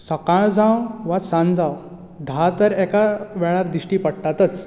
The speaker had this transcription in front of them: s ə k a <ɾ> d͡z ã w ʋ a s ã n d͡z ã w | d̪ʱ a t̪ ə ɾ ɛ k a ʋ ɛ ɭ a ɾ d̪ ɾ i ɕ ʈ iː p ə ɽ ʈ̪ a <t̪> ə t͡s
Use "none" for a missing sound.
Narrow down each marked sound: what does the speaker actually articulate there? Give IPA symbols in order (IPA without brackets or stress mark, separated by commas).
ɭ, t̪